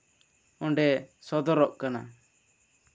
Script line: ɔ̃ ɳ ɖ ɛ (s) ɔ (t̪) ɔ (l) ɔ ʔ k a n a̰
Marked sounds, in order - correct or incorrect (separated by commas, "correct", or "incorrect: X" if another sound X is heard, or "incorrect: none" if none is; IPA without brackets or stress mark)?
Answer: correct, incorrect: d̪, incorrect: ɾ